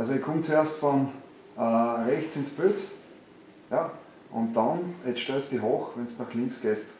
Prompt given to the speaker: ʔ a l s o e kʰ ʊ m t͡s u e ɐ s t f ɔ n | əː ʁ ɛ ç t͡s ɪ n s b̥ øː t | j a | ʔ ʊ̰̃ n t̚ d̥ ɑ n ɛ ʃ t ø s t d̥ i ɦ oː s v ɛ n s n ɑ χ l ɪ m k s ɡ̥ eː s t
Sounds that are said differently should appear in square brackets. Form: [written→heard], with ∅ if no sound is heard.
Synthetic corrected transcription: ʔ a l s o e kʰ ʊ m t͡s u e ɐ s t f ɔ n | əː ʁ ɛ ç t͡s ɪ n s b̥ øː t | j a | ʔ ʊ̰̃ n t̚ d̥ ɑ n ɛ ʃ t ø s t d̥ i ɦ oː [s→x] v ɛ n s n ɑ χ l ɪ [m→ŋ] k s ɡ̥ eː s t